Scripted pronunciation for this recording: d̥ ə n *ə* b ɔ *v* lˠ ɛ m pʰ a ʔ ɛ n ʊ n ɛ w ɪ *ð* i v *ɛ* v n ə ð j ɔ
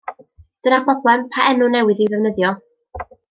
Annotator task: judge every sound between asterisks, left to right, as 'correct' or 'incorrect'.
incorrect: a, incorrect: b, correct, correct

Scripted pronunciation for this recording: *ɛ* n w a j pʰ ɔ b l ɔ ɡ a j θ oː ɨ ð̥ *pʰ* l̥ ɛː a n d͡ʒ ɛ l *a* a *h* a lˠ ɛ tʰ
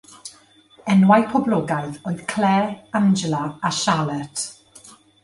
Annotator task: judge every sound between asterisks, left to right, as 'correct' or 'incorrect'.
correct, incorrect: kʰ, correct, incorrect: ʃ

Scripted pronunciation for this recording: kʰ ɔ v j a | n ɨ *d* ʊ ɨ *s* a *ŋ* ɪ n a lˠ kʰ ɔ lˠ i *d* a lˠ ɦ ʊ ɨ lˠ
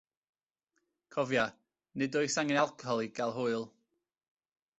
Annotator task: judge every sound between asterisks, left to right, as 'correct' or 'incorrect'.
correct, correct, correct, incorrect: ɡ

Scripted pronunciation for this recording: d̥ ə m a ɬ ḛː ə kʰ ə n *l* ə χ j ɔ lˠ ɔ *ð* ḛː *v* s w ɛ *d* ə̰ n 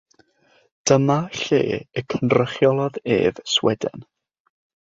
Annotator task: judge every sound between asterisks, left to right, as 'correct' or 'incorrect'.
incorrect: r, correct, correct, correct

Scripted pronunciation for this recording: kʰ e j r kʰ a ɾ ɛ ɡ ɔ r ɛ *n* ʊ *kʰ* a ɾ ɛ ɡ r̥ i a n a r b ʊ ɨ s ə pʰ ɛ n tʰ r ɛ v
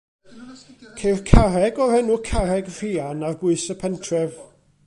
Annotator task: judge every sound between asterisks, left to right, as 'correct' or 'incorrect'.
correct, correct

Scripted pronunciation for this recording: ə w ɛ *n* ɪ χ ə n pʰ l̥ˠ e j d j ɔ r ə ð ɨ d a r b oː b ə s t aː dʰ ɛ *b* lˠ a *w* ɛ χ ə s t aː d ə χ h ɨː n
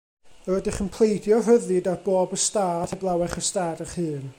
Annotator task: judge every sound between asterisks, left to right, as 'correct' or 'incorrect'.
incorrect: d, correct, correct

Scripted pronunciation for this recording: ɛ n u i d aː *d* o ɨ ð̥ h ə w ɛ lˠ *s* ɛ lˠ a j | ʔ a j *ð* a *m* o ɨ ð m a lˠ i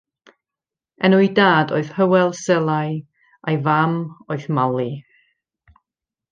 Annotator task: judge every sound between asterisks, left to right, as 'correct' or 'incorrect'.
correct, correct, incorrect: v, correct

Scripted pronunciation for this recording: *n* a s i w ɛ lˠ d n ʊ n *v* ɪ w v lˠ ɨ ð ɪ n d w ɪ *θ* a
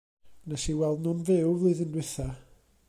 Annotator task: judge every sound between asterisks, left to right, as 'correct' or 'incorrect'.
correct, correct, correct

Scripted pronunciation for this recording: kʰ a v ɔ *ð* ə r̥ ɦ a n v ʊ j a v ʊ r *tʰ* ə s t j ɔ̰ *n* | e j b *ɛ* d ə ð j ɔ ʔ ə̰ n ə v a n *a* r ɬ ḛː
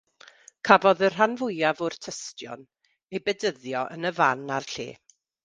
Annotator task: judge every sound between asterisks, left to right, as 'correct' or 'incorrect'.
correct, correct, correct, correct, correct

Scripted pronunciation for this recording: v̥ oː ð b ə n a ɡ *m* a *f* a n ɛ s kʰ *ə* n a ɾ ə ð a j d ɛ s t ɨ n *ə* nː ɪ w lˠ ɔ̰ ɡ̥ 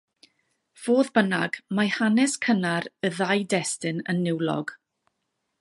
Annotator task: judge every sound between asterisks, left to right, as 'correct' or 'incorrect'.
correct, incorrect: h, correct, correct

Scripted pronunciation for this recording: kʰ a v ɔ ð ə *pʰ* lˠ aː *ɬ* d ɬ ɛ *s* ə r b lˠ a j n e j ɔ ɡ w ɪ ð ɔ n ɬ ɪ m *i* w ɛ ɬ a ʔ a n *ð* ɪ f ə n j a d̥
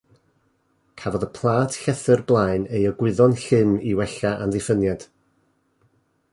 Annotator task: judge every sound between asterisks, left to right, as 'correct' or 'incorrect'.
correct, incorrect: none, incorrect: θ, correct, correct

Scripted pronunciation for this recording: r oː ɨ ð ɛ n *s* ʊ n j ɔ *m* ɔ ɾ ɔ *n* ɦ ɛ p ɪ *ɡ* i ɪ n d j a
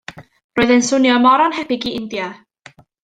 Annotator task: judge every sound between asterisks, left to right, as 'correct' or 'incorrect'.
correct, correct, correct, correct

